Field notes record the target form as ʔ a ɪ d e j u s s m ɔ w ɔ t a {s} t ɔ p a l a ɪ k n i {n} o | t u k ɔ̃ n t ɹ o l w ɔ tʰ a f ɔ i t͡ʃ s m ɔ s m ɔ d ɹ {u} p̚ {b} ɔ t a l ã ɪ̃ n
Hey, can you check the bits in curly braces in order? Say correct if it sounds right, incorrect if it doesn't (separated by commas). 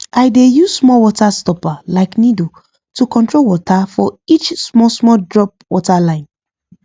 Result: correct, incorrect, incorrect, incorrect